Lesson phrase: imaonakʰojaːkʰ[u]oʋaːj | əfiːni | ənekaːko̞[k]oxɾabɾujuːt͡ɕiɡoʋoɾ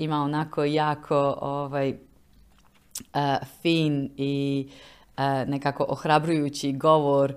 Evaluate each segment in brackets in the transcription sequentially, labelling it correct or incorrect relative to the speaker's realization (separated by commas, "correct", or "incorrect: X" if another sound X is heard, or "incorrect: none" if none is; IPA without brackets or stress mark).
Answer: incorrect: o, incorrect: ʔ